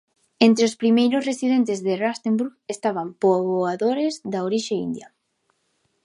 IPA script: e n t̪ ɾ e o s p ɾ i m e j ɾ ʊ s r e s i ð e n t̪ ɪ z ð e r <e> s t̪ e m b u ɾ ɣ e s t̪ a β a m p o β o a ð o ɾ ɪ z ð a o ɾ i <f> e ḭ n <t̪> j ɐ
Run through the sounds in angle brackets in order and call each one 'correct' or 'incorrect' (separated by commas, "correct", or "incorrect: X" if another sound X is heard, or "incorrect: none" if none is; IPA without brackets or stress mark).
incorrect: a, incorrect: ʃ, incorrect: d̪